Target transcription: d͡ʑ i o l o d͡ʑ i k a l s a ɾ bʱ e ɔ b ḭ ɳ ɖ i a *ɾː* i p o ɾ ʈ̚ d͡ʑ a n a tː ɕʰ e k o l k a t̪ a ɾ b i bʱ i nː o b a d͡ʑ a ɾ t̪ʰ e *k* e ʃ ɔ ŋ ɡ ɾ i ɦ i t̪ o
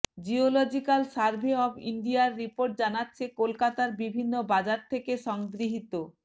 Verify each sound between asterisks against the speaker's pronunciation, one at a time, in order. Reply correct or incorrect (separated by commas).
correct, correct